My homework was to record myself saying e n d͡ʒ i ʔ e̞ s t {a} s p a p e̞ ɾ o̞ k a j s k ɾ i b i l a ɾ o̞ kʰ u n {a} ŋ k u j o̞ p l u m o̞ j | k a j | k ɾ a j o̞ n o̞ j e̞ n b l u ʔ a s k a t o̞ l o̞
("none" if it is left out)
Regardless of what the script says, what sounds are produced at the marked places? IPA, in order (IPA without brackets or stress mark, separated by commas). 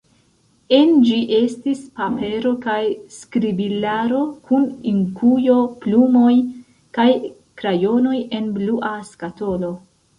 i, i